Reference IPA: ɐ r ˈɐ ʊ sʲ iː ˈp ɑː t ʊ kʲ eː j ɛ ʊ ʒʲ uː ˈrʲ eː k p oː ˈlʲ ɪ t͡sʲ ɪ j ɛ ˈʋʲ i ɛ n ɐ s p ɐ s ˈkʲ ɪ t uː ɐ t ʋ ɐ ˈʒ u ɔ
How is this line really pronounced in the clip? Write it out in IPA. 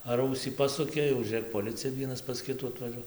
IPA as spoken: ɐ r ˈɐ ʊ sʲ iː ˈp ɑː s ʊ kʲ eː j ɛ ʊ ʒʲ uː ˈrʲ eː k p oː ˈlʲ ɪ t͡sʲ ɪ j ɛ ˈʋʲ i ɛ n ɐ s p ɐ s ˈkʲ ɪ t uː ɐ t ʋ ɐ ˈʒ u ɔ

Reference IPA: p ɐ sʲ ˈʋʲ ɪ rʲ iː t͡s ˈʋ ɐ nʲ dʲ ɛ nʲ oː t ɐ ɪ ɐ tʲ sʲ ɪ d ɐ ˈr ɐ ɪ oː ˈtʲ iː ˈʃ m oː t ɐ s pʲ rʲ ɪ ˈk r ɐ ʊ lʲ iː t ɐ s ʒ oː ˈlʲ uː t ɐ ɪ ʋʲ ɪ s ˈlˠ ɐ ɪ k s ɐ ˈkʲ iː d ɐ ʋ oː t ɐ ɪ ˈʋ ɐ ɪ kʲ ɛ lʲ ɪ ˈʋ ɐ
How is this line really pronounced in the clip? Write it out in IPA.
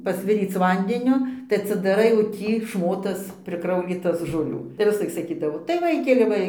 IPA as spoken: p ɐ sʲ ˈʋʲ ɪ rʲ iː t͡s ˈʋ ɐ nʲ dʲ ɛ nʲ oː t ɐ ɪ ɐ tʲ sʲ ɪ d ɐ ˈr ɐ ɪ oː ˈtʲ iː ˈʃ m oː t ɐ s pʲ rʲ ɪ ˈk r ɐ ʊ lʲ iː t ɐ s ʒ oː ˈlʲ uː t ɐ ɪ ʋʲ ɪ s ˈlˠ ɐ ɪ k s ɐ ˈkʲ iː d ɐ ʋ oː t ɐ ɪ ˈʋ ɐ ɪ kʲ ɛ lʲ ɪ ˈʋ ɐ

